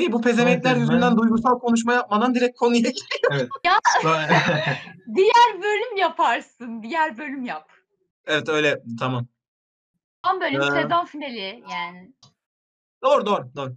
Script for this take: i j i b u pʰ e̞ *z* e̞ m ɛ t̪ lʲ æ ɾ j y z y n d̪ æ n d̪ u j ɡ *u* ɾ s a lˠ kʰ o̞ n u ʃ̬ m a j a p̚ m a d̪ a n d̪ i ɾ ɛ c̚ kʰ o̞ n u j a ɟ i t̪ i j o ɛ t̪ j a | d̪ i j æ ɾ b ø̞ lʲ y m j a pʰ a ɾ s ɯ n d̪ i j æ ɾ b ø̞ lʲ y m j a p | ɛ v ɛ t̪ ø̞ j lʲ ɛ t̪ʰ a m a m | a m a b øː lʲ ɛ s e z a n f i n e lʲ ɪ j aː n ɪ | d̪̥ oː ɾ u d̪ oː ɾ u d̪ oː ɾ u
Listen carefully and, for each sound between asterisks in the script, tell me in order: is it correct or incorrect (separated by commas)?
correct, correct